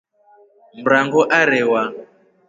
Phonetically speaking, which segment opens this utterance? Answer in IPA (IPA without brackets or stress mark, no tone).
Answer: m̩